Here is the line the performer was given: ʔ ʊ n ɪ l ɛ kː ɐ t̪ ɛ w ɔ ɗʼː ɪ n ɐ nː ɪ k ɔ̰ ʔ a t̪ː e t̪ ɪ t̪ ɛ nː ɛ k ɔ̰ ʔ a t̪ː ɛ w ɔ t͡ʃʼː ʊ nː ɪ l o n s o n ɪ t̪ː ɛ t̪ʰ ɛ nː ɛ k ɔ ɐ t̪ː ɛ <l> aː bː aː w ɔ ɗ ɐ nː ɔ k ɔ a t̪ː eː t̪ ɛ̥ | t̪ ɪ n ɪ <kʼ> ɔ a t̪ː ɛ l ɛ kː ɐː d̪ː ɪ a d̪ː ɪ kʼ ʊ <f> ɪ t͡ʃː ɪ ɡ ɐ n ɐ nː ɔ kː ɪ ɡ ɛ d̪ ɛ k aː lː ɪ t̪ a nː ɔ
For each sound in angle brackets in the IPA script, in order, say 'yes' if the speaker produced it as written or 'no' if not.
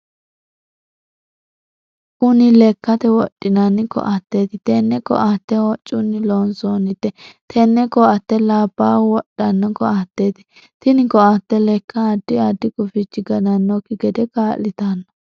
yes, no, yes

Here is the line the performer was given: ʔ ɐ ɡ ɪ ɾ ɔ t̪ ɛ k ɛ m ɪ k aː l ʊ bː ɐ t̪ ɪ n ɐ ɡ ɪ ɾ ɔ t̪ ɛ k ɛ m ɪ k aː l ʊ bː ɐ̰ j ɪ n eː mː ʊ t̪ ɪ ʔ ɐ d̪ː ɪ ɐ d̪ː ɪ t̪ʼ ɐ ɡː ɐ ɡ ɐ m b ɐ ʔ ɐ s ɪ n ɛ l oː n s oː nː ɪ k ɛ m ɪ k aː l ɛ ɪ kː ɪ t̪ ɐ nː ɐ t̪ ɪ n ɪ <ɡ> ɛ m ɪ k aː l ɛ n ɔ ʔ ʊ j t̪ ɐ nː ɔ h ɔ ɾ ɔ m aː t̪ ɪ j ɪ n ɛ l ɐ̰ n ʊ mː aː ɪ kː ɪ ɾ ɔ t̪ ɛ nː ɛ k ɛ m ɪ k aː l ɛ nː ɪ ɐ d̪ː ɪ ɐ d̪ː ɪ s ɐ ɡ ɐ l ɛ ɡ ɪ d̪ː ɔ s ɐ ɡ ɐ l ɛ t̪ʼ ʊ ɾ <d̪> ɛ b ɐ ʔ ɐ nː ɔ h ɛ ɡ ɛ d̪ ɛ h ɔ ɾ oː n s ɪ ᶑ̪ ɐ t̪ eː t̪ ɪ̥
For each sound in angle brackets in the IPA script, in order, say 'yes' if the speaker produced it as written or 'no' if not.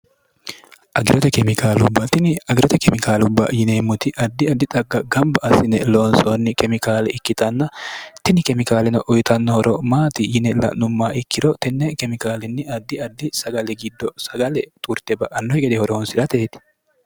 no, no

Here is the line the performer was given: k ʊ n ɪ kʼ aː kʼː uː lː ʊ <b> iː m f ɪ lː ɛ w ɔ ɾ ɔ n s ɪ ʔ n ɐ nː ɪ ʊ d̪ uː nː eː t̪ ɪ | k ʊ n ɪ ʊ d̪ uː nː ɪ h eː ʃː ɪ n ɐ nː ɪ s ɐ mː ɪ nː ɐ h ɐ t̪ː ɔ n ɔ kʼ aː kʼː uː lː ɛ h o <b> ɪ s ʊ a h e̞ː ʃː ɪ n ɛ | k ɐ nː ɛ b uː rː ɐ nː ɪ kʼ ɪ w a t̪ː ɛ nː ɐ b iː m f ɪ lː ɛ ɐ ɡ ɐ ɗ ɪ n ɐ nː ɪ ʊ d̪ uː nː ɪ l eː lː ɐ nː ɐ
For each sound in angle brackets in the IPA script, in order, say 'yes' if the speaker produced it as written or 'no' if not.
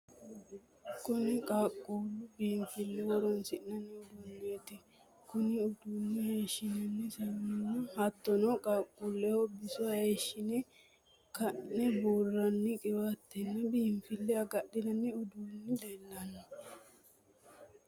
yes, yes

